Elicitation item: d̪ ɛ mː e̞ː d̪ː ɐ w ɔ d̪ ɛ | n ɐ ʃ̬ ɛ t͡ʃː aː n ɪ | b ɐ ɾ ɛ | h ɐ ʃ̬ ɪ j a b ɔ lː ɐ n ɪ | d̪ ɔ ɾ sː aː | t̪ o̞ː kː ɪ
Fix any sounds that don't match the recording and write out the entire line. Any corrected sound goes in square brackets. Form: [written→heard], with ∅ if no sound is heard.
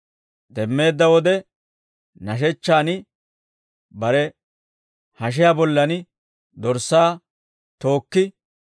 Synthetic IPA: d̪ ɛ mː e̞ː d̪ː ɐ w ɔ d̪ ɛ | n ɐ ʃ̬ ɛ t͡ʃː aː n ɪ | b ɐ ɾ ɛ | h ɐ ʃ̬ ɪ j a b ɔ lː ɐ n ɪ | d̪ ɔ ɾ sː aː | t̪ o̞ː kː ɪ